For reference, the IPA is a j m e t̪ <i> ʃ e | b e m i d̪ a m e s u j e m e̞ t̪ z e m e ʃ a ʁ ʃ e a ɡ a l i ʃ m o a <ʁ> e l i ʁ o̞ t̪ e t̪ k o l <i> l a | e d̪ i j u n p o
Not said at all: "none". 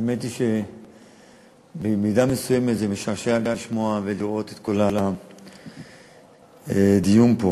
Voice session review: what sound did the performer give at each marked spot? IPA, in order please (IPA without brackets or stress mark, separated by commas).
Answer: i, v, a